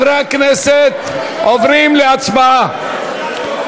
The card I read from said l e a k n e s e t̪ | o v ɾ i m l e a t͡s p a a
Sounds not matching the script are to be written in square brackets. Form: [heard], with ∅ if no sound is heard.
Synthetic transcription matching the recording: [ɾ] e a k n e s e t̪ | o v ɾ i m l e a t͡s [b] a a